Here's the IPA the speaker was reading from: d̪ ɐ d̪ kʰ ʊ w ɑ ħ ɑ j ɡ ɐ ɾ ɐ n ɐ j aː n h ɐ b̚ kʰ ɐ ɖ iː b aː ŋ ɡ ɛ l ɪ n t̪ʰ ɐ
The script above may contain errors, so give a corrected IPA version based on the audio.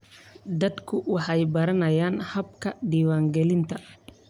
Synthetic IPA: d̪ ɐ d̪ kʰ ʊ w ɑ ħ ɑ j b ɐ ɾ ɐ n ɐ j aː n h ɐ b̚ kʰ ɐ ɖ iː w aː ŋ ɡ ɛ l ɪ n t̪ʰ ɐ

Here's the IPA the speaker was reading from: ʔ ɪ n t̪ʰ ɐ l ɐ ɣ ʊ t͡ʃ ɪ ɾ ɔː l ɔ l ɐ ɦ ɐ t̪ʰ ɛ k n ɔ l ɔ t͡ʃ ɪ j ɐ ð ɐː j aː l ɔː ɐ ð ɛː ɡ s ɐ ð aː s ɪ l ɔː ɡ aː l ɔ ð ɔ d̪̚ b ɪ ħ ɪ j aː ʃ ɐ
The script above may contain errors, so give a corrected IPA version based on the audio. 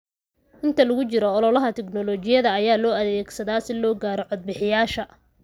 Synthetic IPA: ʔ ɪ n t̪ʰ ɐ l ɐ ɣ ʊ t͡ʃ ɪ ɾ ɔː l ɔ l ɐ ɦ ɐ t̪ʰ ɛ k n ɔ l ɔ t͡ʃ ɪ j ɐ ð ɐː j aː l ɔː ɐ ð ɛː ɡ s ɐ ð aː s ɪ l ɔː ɡ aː ɾ ɔ ʕ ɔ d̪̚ b ɪ ħ ɪ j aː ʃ ɐ

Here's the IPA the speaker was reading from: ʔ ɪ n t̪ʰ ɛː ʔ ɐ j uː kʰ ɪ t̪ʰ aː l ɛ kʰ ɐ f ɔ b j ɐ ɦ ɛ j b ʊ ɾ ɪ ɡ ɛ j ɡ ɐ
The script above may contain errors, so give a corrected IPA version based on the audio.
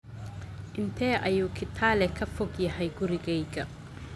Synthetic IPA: ʔ ɪ n t̪ʰ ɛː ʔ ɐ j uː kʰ ɪ t̪ʰ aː l ɛ kʰ ɐ f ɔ ɡ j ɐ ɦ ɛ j ɡ ʊ ɾ ɪ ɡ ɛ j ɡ ɐ

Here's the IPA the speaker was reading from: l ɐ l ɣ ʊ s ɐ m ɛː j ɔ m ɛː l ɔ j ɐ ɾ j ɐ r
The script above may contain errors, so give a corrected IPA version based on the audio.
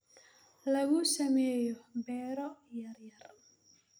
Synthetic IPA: l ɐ ɣ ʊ s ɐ m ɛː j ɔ b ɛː ɾ ɔ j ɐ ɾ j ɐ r

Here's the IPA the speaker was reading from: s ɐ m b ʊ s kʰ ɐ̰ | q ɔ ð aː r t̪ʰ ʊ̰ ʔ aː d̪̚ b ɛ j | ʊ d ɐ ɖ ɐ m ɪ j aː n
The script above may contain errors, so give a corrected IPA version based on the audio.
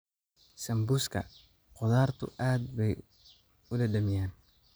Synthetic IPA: s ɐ m b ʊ s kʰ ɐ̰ | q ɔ ð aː r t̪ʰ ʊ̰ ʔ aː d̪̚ b ɛ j | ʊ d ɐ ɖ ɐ m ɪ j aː n

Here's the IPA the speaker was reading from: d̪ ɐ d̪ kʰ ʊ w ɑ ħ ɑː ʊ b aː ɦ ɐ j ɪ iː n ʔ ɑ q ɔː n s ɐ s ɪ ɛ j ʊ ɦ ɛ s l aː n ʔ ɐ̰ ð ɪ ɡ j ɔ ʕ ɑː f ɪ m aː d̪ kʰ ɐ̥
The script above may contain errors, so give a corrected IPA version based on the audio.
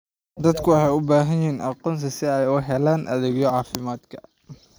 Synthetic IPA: d̪ ɐ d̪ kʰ ʊ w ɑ ħ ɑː ʊ b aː ɦ ɐ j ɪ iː n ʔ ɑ q ɔː n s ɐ s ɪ ɛ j ʊ ɦ ɛ l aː n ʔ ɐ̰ ð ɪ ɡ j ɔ ʕ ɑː f ɪ m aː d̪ kʰ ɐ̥

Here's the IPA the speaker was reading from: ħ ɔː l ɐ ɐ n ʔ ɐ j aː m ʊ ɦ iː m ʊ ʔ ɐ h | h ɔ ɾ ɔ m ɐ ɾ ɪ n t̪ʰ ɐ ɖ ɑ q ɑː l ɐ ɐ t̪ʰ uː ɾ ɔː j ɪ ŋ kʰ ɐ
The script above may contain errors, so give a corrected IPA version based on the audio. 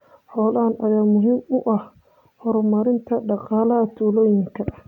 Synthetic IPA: ħ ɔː l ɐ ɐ n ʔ ɐ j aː m ʊ ɦ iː m ʊ ʔ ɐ h | h ɔ ɾ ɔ m ɐ ɾ ɪ n t̪ʰ ɐ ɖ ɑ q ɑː l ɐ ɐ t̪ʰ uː l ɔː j ɪ ŋ kʰ ɐ

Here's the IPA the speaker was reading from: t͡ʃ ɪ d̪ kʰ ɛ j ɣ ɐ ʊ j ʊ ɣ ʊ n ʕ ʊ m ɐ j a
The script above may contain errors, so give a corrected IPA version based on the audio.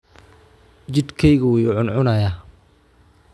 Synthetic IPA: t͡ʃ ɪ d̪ kʰ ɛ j ɣ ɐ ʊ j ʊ ʕ ʊ n ʕ ʊ n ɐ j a

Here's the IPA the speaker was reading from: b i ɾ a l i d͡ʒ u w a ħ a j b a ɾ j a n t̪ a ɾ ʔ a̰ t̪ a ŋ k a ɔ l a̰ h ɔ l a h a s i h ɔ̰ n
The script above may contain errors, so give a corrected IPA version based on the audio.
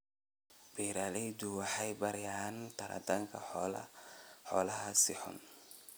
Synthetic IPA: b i ɾ a l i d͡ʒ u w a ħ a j b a ɾ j a n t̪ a ɾ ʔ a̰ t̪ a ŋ k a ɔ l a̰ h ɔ l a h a s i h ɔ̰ n

